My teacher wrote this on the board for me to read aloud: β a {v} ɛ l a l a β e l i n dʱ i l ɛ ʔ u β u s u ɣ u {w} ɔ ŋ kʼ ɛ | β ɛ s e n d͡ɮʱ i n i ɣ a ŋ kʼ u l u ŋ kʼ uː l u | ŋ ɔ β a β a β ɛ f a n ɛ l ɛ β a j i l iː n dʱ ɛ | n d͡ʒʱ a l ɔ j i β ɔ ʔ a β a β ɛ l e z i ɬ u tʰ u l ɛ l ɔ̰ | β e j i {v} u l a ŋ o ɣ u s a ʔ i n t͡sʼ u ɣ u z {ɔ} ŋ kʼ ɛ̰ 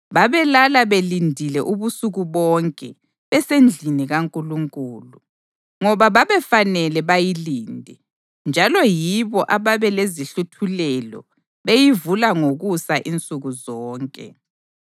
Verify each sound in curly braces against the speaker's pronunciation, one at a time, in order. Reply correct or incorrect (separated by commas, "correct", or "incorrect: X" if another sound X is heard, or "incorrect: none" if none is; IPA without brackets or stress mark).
incorrect: β, incorrect: β, correct, incorrect: ɔː